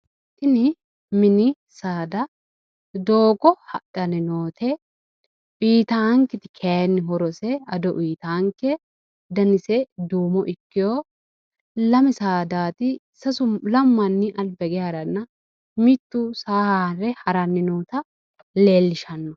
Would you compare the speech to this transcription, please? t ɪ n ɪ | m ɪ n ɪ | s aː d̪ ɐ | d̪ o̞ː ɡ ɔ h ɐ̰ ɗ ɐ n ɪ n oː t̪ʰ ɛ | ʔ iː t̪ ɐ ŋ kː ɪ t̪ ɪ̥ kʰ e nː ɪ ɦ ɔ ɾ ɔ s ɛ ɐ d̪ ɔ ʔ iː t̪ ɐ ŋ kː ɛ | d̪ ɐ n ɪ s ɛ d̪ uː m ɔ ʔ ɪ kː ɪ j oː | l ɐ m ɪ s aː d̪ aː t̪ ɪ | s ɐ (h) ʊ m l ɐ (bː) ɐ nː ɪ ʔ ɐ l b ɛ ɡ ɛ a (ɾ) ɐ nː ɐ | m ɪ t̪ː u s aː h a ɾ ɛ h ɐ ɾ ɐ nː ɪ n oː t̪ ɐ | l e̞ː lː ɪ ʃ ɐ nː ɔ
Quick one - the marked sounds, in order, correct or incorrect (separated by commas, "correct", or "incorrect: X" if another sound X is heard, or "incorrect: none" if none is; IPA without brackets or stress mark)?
incorrect: s, incorrect: mː, correct